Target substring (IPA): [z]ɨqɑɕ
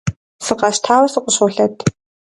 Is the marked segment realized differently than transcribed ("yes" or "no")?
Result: yes